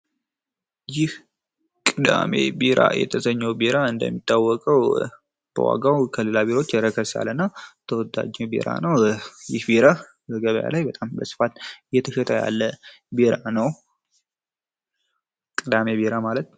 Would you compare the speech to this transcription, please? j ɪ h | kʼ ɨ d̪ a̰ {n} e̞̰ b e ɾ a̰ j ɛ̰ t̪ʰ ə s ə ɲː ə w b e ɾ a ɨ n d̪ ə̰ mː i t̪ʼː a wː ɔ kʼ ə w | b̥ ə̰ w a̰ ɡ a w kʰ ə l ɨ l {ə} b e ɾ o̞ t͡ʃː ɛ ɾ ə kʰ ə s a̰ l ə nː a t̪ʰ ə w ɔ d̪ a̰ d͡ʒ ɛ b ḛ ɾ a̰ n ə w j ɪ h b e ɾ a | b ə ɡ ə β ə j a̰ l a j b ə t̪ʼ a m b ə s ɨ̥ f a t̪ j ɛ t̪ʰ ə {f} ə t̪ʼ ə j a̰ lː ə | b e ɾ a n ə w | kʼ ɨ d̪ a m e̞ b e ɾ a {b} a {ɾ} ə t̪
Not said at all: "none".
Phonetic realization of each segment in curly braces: m, a, ʃ, m, l

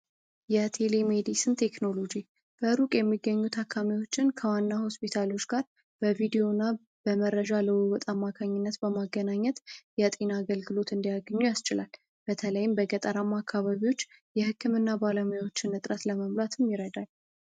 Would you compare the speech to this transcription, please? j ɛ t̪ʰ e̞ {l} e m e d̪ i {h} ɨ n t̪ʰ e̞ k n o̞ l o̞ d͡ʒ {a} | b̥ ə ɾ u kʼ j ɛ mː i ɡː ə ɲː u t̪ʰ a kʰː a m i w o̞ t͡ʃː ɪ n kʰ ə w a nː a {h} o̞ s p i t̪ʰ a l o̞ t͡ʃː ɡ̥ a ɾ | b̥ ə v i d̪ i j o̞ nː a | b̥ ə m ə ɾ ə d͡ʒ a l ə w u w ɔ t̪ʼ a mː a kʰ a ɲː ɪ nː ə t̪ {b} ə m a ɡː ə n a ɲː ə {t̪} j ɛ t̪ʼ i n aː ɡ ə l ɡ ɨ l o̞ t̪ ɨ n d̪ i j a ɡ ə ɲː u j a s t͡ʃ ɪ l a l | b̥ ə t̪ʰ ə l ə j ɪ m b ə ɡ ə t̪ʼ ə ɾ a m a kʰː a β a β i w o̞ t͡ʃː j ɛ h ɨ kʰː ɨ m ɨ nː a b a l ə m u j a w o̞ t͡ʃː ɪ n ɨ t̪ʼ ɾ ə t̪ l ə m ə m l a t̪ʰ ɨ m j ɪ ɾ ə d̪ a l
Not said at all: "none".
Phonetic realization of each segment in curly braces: l, s, i, h, b, t̪

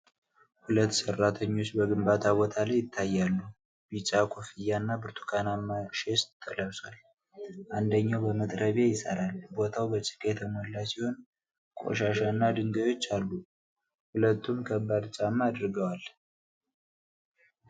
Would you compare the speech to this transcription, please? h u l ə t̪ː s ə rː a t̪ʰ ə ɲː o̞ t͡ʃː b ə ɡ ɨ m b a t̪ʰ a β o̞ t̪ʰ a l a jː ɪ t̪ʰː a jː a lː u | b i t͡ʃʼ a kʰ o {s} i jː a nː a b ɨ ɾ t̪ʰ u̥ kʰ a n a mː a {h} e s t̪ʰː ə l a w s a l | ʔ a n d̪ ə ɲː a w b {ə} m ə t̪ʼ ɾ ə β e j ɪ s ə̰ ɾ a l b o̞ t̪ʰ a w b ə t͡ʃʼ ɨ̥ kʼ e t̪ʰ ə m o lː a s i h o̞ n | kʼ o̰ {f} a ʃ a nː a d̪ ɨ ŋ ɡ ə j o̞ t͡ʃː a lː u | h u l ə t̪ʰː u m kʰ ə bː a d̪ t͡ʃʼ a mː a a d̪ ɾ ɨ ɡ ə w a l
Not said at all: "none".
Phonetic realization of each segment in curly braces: f, ʃ, ə, ʃ

